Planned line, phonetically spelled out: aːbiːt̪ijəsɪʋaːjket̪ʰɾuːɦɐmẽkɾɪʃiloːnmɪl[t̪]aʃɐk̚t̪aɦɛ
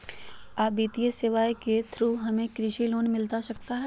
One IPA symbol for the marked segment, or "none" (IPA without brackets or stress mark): t̪